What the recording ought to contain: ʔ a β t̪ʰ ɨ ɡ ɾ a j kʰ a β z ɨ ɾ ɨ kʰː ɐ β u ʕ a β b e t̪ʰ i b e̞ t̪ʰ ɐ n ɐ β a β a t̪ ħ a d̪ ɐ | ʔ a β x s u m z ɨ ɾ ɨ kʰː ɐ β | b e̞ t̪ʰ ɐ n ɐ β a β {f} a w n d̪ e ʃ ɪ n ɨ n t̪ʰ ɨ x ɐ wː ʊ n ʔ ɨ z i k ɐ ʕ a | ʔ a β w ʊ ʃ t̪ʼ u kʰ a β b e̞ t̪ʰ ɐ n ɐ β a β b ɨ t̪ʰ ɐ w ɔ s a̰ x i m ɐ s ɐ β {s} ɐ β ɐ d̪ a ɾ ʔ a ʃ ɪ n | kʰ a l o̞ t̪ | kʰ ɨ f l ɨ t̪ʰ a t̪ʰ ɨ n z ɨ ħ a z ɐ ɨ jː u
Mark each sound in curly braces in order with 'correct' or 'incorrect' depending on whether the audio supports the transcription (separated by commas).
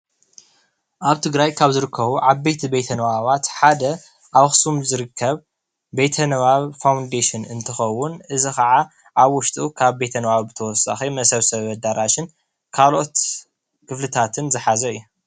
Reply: correct, correct